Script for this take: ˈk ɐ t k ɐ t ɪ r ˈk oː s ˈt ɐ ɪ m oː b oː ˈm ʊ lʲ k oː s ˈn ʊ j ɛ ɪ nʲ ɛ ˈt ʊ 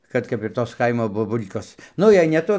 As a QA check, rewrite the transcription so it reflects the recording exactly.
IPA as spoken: ˈk ɐ t k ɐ p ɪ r ˈt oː s ˈk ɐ ɪ m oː b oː ˈb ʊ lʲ k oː s ˈn ʊ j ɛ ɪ nʲ ɛ ˈt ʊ